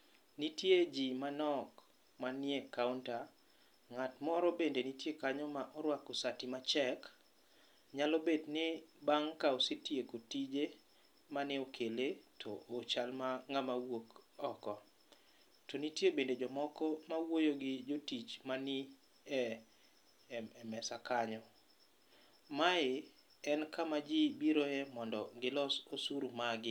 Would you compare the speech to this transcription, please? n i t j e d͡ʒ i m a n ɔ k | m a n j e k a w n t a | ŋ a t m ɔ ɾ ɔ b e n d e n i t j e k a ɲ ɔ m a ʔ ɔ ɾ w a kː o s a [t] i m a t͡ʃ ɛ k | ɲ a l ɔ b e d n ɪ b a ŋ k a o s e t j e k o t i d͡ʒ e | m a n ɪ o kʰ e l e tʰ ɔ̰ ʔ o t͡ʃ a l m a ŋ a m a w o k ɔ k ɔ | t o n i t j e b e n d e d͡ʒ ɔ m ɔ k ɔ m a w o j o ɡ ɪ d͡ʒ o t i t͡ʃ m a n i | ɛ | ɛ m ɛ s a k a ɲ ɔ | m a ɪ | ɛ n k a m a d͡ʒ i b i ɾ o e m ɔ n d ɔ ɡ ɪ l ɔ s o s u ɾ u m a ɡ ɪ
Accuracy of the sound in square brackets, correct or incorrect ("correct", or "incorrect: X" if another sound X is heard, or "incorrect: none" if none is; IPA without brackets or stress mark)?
correct